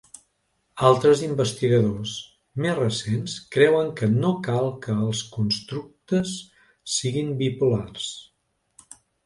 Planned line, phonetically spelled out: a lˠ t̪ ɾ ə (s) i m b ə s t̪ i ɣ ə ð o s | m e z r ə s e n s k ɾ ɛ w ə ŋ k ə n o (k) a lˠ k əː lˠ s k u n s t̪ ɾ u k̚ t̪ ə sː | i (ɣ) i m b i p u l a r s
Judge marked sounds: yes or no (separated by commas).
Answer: no, yes, yes